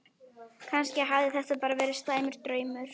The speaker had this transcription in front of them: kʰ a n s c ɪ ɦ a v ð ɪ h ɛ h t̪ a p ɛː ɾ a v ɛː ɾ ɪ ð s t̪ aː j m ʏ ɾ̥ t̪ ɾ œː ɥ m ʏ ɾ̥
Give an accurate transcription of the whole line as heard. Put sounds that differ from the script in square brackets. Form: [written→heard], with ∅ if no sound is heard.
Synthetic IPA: kʰ a n s c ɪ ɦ a v ð ɪ [h→θ] ɛ h t̪ a p [ɛː→aː] ɾ a v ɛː ɾ ɪ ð s t̪ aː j m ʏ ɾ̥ t̪ ɾ œː ɥ m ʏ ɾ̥